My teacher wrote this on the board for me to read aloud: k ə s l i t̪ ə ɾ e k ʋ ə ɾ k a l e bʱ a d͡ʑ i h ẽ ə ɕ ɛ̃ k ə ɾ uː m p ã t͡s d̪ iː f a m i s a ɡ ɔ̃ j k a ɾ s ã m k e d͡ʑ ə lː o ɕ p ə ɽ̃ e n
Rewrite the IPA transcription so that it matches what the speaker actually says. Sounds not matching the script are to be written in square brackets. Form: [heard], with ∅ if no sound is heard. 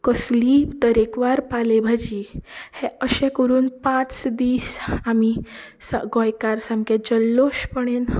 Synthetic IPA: k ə s l i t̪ ə ɾ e k ʋ [a] ɾ [p] a l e bʱ a d͡ʑ i h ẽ ə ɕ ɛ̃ k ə ɾ uː [n] p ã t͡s d̪ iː [s] a m i s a ɡ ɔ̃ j k a ɾ s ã m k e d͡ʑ ə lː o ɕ p ə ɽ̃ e n